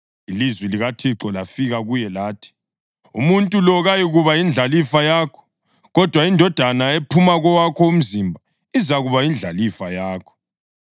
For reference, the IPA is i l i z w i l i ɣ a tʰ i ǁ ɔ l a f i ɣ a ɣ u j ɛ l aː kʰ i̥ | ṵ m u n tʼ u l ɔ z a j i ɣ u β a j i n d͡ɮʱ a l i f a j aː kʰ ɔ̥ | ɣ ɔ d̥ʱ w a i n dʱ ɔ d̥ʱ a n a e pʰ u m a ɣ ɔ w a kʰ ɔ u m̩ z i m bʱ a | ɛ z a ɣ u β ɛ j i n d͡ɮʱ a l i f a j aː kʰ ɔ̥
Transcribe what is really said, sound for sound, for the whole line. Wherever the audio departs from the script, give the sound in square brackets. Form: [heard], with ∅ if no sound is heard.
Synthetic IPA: i l i z w i l i ɣ a tʰ i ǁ ɔ l a f i ɣ a ɣ u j ɛ l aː [tʰ] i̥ | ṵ m u n tʼ u l ɔ [ɣ] a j i ɣ u β a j i n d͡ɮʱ a l i f a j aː kʰ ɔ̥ | ɣ ɔ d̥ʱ w a i n dʱ ɔ d̥ʱ a n a e pʰ u m a ɣ ɔ w a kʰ ɔ u m̩ z i m bʱ a | [i] z a ɣ u β [a] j i n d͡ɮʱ a l i f a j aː kʰ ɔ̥